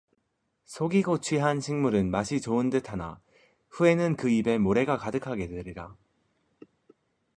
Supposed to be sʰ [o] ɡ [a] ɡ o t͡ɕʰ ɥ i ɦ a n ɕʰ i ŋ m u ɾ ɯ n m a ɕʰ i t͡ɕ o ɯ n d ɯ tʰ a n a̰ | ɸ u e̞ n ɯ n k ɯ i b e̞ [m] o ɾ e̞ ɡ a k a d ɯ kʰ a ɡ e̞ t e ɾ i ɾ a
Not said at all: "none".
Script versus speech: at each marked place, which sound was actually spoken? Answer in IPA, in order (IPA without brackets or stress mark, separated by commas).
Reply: o, i, m